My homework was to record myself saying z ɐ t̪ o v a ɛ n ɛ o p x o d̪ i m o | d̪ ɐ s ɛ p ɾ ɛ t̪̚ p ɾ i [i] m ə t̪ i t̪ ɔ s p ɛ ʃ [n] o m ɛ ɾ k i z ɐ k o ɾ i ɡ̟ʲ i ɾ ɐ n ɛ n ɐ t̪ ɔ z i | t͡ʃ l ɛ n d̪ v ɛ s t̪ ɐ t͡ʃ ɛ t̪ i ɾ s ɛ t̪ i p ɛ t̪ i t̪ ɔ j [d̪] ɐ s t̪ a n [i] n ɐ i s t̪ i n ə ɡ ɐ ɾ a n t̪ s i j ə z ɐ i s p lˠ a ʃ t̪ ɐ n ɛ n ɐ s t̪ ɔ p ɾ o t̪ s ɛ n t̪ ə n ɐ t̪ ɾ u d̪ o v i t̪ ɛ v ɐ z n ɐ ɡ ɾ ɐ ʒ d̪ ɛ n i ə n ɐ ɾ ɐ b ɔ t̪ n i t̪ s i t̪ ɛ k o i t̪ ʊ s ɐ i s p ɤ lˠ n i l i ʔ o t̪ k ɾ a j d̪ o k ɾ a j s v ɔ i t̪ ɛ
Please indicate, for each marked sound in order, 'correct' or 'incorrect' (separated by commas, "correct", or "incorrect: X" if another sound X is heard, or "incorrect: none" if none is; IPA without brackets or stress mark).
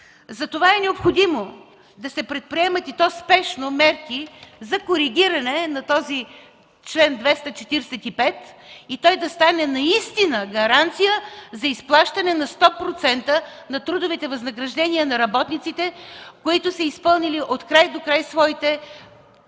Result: incorrect: ɛ, correct, correct, incorrect: ɛ